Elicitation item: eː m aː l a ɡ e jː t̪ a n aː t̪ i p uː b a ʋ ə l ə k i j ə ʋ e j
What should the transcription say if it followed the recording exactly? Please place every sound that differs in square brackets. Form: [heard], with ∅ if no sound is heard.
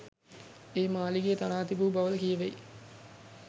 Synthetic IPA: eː m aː l [i] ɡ e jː t̪ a n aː t̪ i [b] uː b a ʋ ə l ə k i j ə ʋ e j